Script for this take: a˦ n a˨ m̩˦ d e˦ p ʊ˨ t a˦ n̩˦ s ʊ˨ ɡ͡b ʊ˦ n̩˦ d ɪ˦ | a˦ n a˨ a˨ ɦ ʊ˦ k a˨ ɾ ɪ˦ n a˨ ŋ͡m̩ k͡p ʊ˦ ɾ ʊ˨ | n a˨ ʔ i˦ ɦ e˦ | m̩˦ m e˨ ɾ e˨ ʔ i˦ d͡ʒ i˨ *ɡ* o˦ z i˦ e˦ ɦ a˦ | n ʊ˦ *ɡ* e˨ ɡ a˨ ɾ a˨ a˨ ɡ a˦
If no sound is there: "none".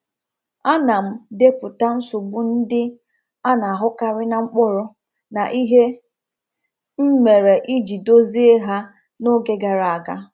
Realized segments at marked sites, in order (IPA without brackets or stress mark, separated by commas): d, ɡ